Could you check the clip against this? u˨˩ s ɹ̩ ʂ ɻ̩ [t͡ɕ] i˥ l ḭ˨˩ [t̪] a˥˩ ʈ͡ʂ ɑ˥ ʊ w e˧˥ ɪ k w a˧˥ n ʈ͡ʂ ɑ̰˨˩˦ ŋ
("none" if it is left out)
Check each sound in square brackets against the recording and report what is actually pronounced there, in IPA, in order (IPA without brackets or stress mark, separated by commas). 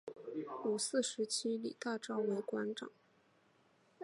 t͡ɕʰ, t̪